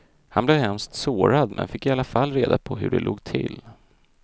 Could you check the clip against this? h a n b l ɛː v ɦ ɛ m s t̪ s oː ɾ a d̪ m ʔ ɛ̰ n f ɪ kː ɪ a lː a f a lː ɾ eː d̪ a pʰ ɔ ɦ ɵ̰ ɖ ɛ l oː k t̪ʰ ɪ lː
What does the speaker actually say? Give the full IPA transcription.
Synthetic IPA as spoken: h a n b l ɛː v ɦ ɛ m s t̪ s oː ɾ a d̪ m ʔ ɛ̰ n f ɪ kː ɪ a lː a f a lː ɾ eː d̪ a pʰ ɔ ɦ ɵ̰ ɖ ɛ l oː ɡ t̪ʰ ɪ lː